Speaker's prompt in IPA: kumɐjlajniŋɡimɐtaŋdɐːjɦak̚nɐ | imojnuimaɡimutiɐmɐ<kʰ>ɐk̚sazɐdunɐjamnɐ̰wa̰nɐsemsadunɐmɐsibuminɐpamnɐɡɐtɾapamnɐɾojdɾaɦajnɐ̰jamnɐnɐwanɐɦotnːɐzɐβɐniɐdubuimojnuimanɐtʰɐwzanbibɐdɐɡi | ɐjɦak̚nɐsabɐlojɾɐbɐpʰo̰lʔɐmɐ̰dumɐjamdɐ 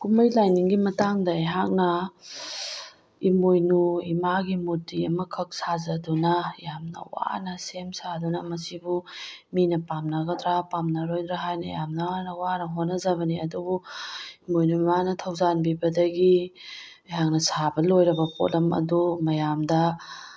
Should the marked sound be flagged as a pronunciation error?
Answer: no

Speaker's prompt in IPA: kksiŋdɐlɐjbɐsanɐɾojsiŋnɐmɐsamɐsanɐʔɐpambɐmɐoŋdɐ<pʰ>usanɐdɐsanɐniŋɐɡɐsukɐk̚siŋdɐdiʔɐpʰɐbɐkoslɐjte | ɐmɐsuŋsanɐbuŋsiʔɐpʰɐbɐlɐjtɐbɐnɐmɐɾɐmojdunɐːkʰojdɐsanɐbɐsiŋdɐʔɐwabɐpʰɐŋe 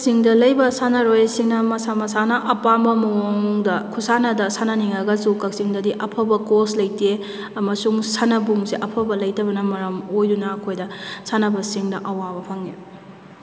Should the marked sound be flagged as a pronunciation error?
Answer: yes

